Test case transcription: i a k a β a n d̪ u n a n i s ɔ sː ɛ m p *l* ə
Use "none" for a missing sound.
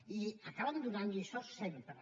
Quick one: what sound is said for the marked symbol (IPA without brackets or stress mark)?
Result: ɾ